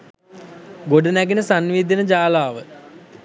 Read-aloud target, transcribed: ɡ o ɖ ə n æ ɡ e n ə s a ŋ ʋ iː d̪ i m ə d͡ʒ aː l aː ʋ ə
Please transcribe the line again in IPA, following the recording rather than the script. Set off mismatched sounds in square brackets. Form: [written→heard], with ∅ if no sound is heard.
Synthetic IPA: ɡ o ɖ ə n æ ɡ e n ə s a [ŋ→n] ʋ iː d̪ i [m→n] ə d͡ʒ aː l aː ʋ ə